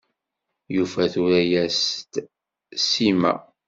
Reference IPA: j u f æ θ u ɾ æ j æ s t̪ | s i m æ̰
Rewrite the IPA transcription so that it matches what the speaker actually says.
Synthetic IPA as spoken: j u f æ θ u ɾ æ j æ s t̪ | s i m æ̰